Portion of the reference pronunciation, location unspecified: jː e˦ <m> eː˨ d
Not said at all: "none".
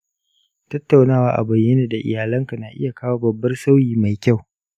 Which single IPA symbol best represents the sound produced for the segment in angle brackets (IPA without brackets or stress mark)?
n